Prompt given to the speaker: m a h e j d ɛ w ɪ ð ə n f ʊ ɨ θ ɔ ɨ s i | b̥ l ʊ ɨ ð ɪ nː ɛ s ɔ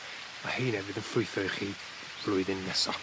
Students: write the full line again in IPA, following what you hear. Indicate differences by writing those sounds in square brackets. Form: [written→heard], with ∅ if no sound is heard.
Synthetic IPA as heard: m a h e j [d→n] ɛ [w→v] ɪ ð ə n f ʊ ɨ θ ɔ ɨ [s→χ] i | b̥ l ʊ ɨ ð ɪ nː ɛ s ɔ